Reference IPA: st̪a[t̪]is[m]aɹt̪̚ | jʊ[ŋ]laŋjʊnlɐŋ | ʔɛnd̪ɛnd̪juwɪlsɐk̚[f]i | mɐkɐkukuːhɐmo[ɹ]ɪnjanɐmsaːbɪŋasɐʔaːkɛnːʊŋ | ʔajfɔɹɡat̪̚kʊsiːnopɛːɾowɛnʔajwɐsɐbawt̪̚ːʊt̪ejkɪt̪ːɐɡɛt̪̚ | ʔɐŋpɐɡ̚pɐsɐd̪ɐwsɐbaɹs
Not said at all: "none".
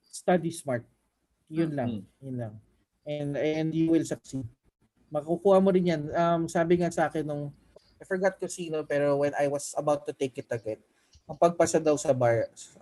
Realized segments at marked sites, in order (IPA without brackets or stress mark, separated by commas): d̪, m, n, s, ɾ